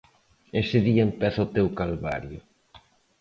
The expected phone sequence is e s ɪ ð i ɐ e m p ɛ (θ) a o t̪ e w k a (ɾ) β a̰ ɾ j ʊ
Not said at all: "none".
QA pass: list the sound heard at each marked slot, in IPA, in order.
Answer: θ, l

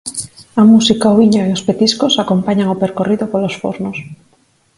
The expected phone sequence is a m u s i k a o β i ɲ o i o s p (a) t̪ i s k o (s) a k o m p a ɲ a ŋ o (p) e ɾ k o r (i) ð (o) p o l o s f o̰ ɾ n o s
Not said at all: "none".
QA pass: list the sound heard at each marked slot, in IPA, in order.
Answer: e, s, p, i, o

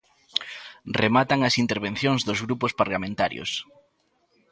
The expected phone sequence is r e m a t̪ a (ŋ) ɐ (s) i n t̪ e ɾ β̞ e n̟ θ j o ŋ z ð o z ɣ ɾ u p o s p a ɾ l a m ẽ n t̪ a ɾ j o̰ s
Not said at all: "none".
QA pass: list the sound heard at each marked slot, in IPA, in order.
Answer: ŋ, s

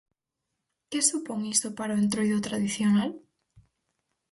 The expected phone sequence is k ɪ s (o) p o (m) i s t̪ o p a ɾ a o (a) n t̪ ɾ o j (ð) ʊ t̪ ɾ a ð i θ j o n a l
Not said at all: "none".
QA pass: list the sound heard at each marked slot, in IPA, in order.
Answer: u, ŋ, e, ð

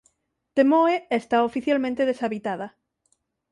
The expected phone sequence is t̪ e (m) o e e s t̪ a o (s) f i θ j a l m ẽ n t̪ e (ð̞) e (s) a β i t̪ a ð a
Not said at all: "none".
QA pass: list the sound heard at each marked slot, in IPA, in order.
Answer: m, none, ð̞, s

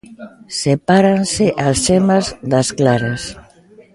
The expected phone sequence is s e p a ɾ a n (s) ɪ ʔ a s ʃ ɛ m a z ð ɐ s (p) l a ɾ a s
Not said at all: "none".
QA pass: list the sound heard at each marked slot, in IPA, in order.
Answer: s, k

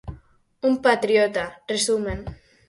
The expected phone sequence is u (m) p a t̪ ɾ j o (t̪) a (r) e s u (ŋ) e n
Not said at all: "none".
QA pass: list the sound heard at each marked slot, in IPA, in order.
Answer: m, t̪, r, m

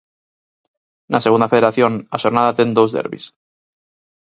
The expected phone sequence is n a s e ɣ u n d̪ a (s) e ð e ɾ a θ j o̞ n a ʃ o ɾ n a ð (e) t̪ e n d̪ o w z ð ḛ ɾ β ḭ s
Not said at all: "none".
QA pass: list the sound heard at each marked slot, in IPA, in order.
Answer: f, a

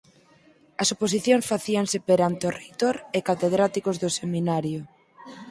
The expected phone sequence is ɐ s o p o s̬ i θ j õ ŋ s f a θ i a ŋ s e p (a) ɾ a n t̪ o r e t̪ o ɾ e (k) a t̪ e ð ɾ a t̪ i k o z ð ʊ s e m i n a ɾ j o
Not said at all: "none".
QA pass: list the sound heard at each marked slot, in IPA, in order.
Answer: e, k

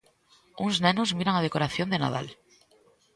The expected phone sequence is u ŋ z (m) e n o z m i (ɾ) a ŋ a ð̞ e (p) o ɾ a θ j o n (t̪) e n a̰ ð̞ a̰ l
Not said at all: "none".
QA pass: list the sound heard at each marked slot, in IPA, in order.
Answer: n, ɾ, k, d̪

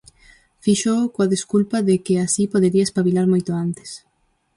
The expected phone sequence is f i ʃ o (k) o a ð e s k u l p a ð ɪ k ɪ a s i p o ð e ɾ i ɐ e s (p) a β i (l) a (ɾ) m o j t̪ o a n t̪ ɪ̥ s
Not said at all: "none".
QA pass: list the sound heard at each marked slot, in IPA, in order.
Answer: k, p, l, ɾ

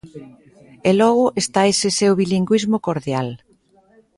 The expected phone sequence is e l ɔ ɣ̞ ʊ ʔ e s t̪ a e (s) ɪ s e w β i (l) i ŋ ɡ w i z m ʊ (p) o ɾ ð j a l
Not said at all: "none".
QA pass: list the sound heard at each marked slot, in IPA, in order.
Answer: s, l, k

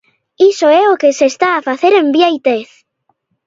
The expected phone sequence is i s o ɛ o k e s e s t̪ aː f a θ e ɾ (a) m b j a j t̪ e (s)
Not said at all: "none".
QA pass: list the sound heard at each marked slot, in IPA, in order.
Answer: e, θ

